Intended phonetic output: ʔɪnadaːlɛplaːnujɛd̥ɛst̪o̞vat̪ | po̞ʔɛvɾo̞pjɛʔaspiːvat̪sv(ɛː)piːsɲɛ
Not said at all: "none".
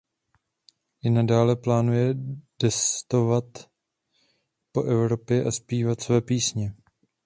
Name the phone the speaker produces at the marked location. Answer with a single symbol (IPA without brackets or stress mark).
ɛː